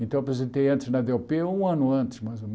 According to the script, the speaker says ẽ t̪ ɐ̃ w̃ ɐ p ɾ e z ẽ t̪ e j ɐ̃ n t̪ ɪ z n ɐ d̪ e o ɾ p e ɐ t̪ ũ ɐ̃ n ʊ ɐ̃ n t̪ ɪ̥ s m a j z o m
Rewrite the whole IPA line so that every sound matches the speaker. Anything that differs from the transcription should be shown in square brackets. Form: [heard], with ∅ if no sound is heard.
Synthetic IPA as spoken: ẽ t̪ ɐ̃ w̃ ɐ p ɾ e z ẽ t̪ e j ɐ̃ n t̪ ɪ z n ɐ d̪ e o [∅] p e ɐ [∅] ũ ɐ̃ n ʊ ɐ̃ n t̪ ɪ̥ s m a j z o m